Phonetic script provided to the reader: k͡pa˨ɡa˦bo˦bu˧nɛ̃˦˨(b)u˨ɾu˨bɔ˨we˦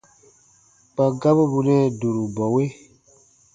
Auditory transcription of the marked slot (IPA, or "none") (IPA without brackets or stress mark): d